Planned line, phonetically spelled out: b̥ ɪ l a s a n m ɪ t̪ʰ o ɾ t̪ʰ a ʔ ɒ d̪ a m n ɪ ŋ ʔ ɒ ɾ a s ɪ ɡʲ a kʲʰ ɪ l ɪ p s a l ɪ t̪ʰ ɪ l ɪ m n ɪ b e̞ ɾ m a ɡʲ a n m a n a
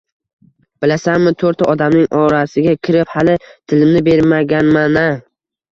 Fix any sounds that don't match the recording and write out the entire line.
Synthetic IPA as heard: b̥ ɪ l a s a n m ɪ t̪ʰ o ɾ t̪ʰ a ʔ ɒ d̪ a m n ɪ ŋ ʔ ɒ ɾ a s ɪ ɡʲ a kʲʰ ɪ ɾ ɪ p h a l ɪ t̪ʰ ɪ l ɪ m n ɪ b e̞ ɾ m a ɡʲ a n m a n a